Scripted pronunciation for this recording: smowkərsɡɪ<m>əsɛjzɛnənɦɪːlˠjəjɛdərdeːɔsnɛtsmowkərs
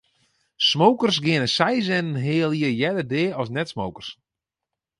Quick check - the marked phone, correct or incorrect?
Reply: incorrect: n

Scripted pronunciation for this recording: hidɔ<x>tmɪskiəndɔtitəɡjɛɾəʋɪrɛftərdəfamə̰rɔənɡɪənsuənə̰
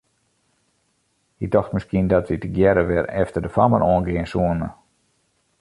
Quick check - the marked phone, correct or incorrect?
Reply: correct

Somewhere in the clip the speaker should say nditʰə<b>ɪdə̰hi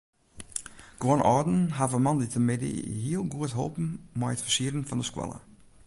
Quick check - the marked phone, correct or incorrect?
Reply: incorrect: m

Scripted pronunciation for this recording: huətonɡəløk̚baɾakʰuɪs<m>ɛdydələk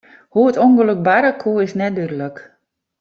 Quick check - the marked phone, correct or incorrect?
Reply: incorrect: n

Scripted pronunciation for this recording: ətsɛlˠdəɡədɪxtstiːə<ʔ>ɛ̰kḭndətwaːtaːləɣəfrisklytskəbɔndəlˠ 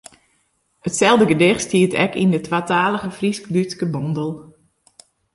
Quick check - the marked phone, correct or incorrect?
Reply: incorrect: t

